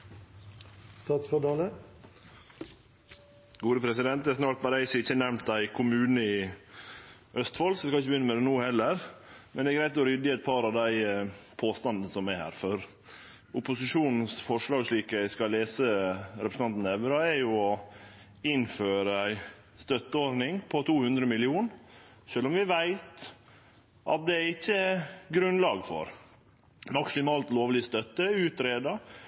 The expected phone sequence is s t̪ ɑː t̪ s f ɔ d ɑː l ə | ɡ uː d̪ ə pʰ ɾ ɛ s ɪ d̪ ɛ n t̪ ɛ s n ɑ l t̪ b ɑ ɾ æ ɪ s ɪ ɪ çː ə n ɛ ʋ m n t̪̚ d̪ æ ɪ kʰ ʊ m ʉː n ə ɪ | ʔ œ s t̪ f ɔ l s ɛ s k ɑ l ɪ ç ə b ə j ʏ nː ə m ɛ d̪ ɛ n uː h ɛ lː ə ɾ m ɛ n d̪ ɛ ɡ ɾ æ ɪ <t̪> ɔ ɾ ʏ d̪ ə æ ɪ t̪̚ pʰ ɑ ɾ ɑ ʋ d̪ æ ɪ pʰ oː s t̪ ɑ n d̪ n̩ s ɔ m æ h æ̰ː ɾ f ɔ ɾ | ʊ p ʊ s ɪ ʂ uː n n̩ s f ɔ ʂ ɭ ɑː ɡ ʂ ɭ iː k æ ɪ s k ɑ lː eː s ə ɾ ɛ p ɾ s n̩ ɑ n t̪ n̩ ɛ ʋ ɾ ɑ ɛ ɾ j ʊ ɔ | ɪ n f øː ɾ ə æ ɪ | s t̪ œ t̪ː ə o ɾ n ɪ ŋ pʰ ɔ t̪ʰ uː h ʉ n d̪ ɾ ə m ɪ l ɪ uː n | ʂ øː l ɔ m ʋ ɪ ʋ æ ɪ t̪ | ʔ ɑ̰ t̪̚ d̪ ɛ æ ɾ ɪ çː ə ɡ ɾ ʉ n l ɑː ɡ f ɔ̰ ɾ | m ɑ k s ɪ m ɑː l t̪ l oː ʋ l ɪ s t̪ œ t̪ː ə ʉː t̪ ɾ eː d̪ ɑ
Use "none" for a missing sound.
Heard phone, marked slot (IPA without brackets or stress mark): t̪